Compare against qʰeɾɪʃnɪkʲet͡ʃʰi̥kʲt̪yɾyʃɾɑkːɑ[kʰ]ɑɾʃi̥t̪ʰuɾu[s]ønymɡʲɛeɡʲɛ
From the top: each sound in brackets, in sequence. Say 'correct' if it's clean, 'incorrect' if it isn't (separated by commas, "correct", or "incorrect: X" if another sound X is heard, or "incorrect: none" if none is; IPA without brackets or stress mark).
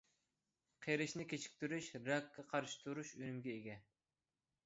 incorrect: qʰ, incorrect: ʃ